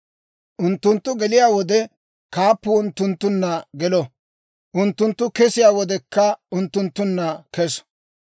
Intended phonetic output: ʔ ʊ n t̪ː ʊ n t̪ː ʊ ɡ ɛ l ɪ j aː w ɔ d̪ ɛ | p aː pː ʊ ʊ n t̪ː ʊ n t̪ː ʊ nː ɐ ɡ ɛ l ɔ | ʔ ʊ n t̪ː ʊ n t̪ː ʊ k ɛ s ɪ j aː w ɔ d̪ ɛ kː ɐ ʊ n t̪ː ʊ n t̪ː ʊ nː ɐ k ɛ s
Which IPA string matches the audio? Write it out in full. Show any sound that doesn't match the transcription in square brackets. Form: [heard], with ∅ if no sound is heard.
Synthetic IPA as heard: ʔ ʊ n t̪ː ʊ n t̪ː ʊ ɡ ɛ l ɪ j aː w ɔ d̪ ɛ | [k] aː pː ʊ ʊ n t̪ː ʊ n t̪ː ʊ nː ɐ ɡ ɛ l ɔ | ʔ ʊ n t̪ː ʊ n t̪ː ʊ k ɛ s ɪ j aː w ɔ d̪ ɛ kː ɐ ʊ n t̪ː ʊ n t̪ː ʊ nː ɐ k ɛ s